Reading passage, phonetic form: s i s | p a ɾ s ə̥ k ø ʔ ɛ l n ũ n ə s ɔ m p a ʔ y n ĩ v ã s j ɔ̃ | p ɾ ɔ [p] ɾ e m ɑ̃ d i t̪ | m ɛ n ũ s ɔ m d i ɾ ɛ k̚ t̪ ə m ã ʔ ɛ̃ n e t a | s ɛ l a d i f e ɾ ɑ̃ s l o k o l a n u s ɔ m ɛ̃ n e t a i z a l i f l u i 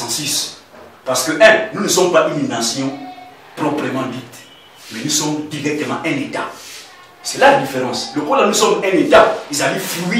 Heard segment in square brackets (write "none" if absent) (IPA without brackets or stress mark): p